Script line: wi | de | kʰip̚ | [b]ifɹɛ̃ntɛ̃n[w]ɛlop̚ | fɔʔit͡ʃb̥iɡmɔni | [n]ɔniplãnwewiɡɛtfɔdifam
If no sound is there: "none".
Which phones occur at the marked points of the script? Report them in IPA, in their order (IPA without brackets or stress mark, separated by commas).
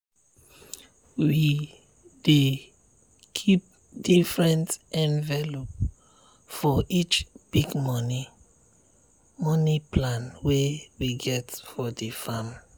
d, v, m